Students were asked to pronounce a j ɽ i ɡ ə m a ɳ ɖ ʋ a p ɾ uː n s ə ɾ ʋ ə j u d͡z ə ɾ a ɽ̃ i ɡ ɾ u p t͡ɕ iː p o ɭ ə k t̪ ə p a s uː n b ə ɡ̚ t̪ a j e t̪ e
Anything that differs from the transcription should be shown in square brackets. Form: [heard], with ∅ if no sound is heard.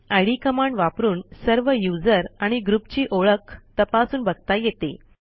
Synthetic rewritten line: a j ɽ i [k] ə m a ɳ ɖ ʋ a p ɾ uː n s ə ɾ ʋ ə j u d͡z ə ɾ a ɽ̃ i ɡ ɾ u p t͡ɕ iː [ʔ] o ɭ ə k t̪ ə p a s uː n b ə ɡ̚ t̪ a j e t̪ e